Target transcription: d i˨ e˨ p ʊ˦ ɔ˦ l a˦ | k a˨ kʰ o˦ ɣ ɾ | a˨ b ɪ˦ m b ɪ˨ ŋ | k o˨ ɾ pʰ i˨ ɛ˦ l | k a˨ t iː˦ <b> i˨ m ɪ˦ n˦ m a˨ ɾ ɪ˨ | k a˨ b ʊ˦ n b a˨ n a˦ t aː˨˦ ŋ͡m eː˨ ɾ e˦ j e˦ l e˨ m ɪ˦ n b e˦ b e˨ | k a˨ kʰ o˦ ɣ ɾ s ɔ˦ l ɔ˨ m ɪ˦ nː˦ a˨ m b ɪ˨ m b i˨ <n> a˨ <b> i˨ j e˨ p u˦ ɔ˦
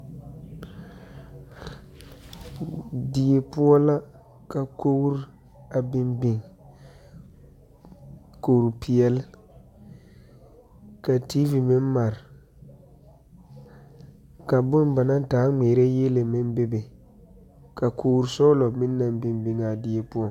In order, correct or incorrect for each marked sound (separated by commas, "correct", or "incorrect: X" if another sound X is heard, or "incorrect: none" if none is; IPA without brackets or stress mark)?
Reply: incorrect: v, incorrect: ŋ, incorrect: d